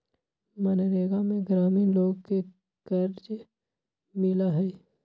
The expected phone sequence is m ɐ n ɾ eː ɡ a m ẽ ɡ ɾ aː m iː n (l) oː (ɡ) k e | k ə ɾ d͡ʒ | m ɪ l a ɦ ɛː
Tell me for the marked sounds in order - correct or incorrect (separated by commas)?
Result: correct, correct